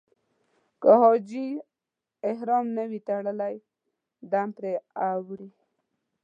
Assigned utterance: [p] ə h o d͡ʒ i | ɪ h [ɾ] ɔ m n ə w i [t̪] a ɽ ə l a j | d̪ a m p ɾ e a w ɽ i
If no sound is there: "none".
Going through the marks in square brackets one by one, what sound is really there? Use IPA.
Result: k, ɾ, t̪

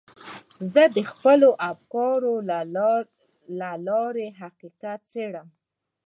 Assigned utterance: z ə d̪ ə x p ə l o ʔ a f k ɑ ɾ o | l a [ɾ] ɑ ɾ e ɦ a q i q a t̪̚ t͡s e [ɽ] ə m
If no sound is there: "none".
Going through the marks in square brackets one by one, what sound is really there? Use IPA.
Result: l, ɽ

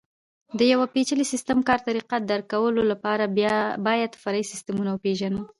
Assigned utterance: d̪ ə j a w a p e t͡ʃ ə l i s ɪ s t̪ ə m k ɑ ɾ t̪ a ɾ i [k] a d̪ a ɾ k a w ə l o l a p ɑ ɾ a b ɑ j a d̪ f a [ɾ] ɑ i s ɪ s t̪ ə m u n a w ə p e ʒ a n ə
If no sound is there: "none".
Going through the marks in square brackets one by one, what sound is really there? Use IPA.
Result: q, ɾ

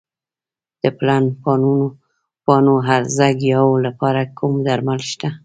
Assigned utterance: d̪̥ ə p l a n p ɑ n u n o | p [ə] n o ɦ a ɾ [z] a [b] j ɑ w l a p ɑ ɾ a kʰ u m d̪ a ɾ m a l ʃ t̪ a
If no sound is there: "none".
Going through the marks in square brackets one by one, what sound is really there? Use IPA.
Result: ɑ, z, ɡ

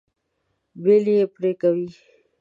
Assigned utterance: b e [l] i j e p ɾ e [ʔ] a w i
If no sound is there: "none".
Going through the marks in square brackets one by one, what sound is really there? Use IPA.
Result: l, k

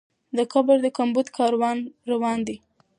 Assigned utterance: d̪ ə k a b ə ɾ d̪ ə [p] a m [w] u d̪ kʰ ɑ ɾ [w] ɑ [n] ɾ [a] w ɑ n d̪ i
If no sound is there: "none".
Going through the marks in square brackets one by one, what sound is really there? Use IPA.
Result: k, b, w, n, a

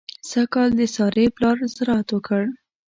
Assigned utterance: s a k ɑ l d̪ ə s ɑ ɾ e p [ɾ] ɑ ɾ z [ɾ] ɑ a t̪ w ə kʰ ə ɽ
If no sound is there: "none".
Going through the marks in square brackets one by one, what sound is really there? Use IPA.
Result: l, ɾ

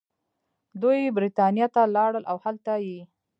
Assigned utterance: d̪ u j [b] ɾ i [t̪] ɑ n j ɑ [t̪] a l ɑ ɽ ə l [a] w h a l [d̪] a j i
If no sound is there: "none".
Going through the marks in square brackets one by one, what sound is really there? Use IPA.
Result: b, t̪, t̪, a, t̪

